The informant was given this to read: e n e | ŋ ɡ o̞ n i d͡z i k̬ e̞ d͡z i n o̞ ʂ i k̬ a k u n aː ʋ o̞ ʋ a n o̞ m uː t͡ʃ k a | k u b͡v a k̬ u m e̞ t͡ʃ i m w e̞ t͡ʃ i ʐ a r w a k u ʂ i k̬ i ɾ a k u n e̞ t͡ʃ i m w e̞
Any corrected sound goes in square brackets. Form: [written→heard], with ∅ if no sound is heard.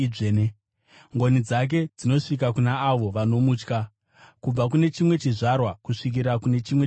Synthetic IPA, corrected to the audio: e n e | ŋ ɡ o̞ n i d͡z [i→a] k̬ e̞ d͡z i n o̞ ʂ i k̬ a k u n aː ʋ o̞ ʋ a n o̞ m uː t͡ʃ k a | k u b͡v a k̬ u [m→n] e̞ t͡ʃ i m w e̞ t͡ʃ i ʐ a r w a k u ʂ i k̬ i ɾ a k u n e̞ t͡ʃ i m w e̞